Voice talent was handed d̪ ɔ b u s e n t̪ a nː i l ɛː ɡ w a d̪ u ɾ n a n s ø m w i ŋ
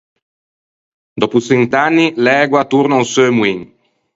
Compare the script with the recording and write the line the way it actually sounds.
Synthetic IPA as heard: d̪ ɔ p u s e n t̪ a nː i l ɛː ɡ w a t̪ u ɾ n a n s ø m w i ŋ